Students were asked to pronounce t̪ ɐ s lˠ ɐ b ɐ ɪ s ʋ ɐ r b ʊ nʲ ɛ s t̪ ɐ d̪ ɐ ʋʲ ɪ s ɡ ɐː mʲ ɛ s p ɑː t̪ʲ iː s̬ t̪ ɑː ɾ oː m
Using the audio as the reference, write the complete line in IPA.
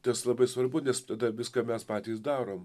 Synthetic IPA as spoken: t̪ ɐ s lˠ ɐ b ɐ ɪ s ʋ ɐ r b ʊ nʲ ɛ s t̪ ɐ d̪ ɐ ʋʲ ɪ s k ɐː mʲ ɛ s p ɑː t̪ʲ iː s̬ d̪ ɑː ɾ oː m

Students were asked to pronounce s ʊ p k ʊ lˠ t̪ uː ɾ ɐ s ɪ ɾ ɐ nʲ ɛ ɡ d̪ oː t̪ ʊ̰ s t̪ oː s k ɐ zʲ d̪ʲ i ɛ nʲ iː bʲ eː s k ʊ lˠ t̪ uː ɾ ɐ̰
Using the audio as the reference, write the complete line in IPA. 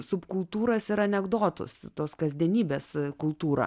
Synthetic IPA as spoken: s ʊ p k ʊ lˠ t̪ uː ɾ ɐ s ɪ ɾ ɐ nʲ ɛ ɡ d̪ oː t̪ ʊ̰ s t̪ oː s k ɐ zʲ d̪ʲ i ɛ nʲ iː bʲ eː s k ʊ lˠ t̪ uː ɾ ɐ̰

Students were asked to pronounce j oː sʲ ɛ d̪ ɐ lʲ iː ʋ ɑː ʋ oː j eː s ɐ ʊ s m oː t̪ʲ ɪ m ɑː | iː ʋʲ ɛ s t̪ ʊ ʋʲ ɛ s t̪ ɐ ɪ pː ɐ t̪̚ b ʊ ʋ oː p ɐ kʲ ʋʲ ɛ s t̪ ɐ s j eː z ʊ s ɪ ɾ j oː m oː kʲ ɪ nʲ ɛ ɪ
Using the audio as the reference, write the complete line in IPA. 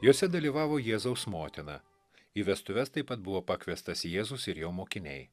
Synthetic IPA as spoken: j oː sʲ ɛ d̪ ɐ lʲ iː ʋ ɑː ʋ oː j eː z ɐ ʊ s m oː t̪ʲ ɪ n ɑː | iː ʋʲ ɛ s t̪ ʊ ʋʲ ɛ s t̪ ɐ ɪ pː ɐ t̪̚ b ʊ ʋ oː p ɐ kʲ ʋʲ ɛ s t̪ ɐ s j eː z ʊ s ɪ ɾ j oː m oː kʲ ɪ nʲ ɛ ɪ

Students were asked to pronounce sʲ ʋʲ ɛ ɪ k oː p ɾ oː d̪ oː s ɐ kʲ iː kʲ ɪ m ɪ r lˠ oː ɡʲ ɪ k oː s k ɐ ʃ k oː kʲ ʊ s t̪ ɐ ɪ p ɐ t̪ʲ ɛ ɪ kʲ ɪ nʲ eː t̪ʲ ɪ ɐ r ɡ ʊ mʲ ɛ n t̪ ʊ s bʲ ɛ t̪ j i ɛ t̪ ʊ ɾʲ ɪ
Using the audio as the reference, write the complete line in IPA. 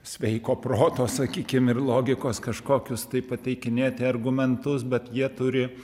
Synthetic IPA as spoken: sʲ ʋʲ ɛ ɪ k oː p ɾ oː t̪ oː s ɐ kʲ iː kʲ ɪ m ɪ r lˠ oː ɡʲ ɪ k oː s k ɐ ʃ k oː kʲ ʊ s t̪ ɐ ɪ p ɐ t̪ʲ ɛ ɪ kʲ ɪ nʲ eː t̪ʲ ɪ ɐ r ɡ ʊ mʲ ɛ n t̪ ʊ s bʲ ɛ t̪ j i ɛ t̪ ʊ ɾʲ ɪ

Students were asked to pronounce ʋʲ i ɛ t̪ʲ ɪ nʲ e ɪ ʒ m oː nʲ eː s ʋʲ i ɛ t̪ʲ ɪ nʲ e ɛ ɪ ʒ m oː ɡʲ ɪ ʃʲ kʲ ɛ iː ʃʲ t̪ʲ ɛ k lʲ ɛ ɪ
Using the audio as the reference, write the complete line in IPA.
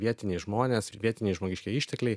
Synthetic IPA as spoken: ʋʲ i ɛ t̪ʲ ɪ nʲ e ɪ ʒ m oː nʲ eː s ʋʲ i ɛ t̪ʲ ɪ nʲ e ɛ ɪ ʒ m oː ɡʲ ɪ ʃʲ kʲ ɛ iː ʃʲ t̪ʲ ɛ k lʲ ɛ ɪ

